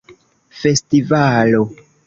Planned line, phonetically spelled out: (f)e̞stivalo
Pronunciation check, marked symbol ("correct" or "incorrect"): correct